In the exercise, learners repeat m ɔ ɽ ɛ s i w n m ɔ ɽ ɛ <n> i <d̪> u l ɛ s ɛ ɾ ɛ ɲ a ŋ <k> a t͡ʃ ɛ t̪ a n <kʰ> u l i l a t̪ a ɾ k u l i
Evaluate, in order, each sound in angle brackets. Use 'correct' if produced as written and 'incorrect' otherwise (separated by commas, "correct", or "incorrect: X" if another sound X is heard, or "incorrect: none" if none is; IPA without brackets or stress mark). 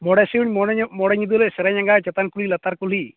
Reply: incorrect: ɲ, correct, incorrect: ɡ, incorrect: k